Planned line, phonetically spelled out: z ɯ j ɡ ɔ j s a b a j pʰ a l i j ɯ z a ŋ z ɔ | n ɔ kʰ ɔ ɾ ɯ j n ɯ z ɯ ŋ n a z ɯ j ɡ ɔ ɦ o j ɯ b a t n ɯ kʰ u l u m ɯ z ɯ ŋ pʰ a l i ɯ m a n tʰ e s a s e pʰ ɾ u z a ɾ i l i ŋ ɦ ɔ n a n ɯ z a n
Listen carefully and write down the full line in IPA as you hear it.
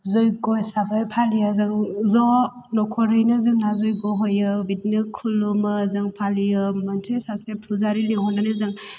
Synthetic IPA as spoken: z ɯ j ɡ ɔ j s a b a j pʰ a l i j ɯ z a ŋ z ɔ | n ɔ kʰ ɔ ɾ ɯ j n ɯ z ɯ ŋ n a z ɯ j ɡ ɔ ɦ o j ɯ b i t n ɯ kʰ u l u m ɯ z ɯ ŋ pʰ a l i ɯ m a n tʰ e s a s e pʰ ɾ u z a ɾ i l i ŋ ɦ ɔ n a n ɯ z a ŋ